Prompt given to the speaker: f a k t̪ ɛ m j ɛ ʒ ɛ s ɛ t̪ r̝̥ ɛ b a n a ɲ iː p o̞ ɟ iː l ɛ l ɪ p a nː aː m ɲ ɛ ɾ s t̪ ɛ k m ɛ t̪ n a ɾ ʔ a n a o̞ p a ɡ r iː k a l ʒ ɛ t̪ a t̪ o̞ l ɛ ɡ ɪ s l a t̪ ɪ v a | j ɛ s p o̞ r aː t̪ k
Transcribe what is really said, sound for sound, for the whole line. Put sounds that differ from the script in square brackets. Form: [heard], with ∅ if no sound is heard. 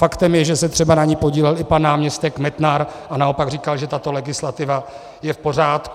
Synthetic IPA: f a k t̪ ɛ m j ɛ ʒ ɛ s ɛ t̪ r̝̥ ɛ b a n a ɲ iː p o̞ ɟ iː l ɛ l ɪ p a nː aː m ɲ ɛ [∅] s t̪ ɛ k m ɛ t̪ n a ɾ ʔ a n a o̞ p a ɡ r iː k a l ʒ ɛ t̪ a t̪ o̞ l ɛ ɡ ɪ s l a t̪ ɪ v a | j ɛ [f] p o̞ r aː t̪ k